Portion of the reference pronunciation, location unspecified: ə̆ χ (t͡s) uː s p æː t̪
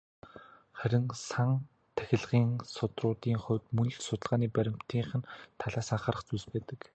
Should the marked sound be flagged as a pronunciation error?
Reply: no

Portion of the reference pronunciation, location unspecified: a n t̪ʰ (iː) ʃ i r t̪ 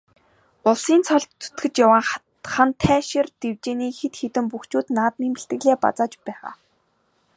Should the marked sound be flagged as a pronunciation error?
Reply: yes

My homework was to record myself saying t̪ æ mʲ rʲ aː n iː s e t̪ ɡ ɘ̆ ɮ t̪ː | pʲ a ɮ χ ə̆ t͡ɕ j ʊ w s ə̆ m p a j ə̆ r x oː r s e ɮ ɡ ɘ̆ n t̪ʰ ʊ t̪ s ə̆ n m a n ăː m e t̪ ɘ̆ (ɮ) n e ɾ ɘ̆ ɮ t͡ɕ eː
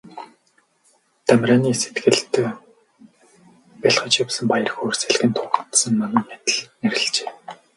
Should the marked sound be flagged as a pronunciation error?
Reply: no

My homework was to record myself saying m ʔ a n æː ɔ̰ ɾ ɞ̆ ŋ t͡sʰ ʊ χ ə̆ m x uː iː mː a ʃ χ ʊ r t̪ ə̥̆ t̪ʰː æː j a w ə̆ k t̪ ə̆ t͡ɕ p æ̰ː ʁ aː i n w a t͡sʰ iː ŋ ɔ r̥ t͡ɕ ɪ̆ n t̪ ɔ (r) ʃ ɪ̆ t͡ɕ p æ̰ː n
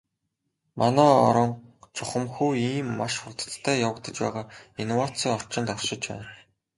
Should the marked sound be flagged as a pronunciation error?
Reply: no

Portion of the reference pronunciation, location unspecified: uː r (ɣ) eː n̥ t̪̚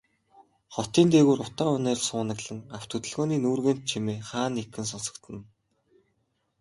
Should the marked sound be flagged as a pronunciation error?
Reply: no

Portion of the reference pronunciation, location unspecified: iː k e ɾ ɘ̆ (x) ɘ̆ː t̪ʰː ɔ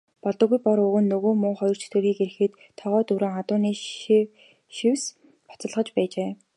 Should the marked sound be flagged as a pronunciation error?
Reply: no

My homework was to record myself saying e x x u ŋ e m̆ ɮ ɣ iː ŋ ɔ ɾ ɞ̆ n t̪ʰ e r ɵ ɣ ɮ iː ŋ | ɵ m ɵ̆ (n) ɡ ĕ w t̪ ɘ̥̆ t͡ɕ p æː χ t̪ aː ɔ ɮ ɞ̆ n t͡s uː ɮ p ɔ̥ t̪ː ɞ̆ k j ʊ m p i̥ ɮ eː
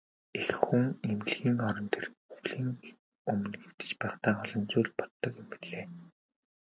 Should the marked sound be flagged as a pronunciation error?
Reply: no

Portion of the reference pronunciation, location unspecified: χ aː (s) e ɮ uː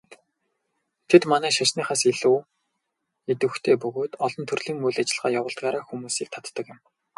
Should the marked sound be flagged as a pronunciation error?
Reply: no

